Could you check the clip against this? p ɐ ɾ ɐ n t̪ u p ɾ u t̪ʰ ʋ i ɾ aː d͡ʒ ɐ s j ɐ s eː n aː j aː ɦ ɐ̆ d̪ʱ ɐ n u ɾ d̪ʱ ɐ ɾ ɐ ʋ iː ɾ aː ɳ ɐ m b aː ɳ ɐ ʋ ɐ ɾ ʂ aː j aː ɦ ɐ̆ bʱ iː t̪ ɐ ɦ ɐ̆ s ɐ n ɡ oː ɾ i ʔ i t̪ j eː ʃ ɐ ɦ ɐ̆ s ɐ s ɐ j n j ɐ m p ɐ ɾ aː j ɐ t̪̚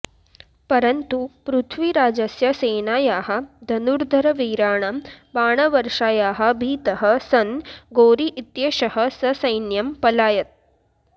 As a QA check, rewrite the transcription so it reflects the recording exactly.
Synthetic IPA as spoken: p ɐ ɾ ɐ n t̪ u p ɾ u t̪ʰ ʋ i ɾ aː d͡ʒ ɐ s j ɐ s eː n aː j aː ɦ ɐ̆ d̪ʱ ɐ n u ɾ d̪ʱ ɐ ɾ ɐ ʋ iː ɾ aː ɳ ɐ m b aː ɳ ɐ ʋ ɐ ɾ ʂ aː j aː ɦ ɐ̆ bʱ iː t̪ ɐ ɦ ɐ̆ s ɐ n ɡ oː ɾ i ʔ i t̪ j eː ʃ ɐ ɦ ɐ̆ s ɐ s ɐ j n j ɐ m p ɐ l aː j ɐ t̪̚